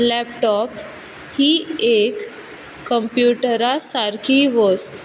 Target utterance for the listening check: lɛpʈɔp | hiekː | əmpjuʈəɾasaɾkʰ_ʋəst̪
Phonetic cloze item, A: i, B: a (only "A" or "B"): A